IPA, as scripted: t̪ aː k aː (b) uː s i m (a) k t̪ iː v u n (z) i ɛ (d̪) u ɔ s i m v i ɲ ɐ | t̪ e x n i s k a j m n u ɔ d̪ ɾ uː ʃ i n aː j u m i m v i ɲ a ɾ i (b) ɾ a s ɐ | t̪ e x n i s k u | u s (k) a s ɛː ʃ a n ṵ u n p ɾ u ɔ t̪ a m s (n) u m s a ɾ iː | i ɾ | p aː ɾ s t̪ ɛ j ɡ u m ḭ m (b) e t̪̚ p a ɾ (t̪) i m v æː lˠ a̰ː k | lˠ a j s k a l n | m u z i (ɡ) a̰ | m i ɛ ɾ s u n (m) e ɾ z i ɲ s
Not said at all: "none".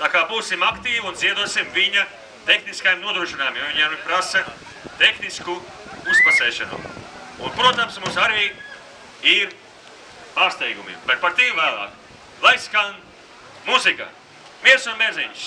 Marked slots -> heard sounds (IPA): b, a, z, d̪, p, p, m, b, t̪, k, m

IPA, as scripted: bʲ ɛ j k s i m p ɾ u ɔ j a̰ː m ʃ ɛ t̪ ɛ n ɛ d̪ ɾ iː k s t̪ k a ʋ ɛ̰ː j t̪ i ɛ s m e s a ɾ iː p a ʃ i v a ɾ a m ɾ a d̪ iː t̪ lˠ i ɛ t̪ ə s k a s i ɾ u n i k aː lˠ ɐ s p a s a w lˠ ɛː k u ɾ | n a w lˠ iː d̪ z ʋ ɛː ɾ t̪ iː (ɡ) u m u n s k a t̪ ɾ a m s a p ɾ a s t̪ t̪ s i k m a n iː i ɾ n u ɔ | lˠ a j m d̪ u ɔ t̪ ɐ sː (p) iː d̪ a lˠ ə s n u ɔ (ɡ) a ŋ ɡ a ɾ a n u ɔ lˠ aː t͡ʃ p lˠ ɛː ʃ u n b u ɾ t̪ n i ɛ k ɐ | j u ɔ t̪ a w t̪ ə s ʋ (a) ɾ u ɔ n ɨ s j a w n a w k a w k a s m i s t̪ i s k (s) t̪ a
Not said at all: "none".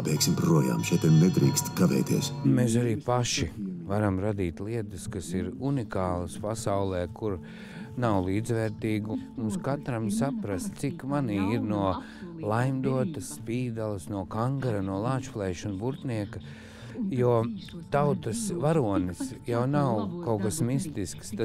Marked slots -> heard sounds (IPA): ɡ, p, k, a, s

